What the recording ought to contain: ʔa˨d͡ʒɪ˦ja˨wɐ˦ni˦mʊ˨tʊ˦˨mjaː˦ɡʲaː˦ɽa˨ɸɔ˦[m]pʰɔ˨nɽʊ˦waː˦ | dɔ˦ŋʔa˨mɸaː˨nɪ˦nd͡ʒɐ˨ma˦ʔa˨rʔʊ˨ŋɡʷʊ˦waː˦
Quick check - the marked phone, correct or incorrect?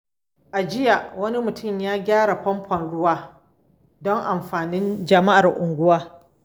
correct